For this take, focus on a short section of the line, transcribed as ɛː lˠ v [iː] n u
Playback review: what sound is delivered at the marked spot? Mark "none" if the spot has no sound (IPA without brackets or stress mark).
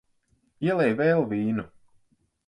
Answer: iː